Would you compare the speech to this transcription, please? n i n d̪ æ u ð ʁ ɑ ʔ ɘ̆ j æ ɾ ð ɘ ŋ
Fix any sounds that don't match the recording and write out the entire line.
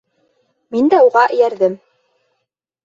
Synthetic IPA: m i n d̪ æ u ʁ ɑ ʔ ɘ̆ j æ ɾ ð ɘ m